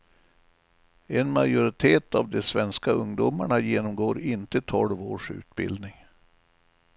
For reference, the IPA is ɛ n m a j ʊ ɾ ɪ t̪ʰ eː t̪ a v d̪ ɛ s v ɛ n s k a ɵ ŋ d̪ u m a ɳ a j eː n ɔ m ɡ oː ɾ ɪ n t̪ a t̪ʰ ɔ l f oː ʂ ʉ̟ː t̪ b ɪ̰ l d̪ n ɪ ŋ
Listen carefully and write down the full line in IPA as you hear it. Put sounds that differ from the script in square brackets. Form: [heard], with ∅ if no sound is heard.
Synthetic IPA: ɛ n m a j ʊ ɾ ɪ t̪ʰ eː t̪ a v d̪ ɛ s v ɛ n s k a ɵ ŋ d̪ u m a ɳ a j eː n ɔ m ɡ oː ɾ ɪ n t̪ [ə] t̪ʰ ɔ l [v] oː ʂ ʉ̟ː t̪ b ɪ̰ l d̪ n ɪ ŋ